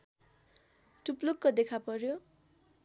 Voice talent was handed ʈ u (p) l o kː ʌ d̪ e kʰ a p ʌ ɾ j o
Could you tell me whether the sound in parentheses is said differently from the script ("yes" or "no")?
no